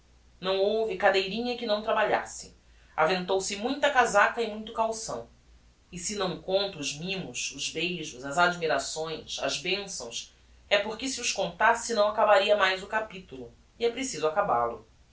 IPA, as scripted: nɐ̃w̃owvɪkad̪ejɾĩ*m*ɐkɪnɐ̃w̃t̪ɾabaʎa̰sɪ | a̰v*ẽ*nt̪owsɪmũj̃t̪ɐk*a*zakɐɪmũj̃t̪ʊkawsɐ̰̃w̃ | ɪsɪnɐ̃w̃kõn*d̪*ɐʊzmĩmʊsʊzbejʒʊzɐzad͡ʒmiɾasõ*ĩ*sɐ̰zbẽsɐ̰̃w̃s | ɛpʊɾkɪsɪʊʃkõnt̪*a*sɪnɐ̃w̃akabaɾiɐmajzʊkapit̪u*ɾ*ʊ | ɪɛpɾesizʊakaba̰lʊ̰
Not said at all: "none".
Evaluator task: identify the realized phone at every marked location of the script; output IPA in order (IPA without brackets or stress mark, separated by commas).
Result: ɲ, ẽ, a, t̪, j̃, a, l